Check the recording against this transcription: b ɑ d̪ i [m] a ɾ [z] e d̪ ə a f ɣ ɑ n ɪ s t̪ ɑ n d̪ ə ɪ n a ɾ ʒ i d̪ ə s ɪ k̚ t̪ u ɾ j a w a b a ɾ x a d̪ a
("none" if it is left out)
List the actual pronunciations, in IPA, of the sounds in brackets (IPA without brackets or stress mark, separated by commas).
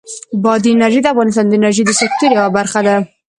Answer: n, ʒ